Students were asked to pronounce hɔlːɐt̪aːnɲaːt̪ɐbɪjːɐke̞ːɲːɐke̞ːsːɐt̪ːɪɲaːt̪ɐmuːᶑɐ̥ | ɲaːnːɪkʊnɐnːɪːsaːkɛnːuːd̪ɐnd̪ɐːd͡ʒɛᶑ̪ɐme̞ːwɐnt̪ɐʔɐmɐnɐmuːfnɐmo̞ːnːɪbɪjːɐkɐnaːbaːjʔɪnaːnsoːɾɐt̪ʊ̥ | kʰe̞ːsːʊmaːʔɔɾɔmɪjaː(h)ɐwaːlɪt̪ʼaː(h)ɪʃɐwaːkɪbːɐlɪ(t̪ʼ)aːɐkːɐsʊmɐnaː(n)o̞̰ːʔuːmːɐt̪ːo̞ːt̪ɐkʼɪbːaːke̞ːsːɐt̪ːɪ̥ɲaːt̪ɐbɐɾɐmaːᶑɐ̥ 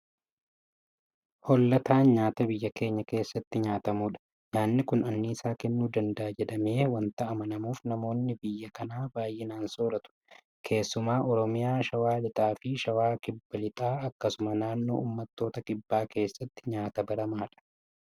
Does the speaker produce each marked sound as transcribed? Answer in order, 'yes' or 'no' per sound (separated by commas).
no, no, yes, no